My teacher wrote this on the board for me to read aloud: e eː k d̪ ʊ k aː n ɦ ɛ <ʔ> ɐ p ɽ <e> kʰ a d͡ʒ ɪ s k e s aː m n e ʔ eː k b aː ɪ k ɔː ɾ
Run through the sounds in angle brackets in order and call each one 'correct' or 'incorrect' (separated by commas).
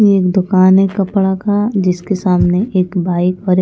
incorrect, incorrect